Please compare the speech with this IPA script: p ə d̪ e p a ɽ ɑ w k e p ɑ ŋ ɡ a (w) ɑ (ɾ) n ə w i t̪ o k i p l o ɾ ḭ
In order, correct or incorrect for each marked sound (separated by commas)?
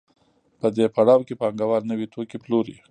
correct, correct